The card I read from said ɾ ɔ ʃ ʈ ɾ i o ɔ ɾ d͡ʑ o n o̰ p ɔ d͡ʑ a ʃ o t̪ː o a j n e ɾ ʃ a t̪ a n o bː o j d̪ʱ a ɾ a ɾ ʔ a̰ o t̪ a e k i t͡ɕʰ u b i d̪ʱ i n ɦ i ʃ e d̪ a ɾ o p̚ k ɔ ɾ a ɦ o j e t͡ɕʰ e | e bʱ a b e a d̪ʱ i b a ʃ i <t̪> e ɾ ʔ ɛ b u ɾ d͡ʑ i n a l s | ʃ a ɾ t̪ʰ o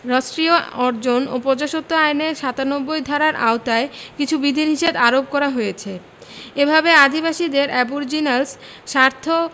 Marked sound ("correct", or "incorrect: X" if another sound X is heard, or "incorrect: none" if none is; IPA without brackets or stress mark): incorrect: d̪